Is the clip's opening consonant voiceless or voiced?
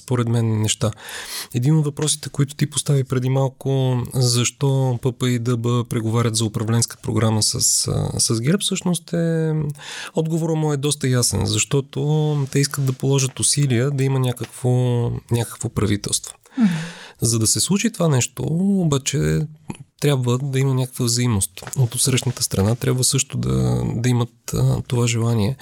voiceless